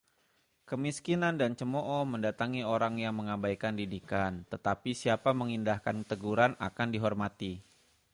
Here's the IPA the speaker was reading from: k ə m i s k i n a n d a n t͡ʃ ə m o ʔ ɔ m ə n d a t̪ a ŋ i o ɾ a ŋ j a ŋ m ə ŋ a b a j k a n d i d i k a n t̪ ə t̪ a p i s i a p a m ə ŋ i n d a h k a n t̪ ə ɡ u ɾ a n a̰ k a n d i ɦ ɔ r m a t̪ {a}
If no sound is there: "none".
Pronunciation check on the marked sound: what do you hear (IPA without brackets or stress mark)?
i